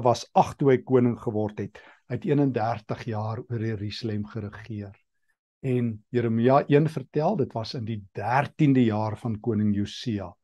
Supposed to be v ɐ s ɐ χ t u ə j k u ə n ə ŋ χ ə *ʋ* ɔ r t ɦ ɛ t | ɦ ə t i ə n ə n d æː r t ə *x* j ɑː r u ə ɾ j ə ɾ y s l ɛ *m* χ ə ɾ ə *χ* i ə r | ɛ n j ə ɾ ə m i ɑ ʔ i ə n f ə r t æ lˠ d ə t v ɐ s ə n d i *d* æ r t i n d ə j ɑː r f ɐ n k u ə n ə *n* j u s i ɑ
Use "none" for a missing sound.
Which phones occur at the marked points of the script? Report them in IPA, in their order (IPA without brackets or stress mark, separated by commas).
v, χ, m, χ, d, ŋ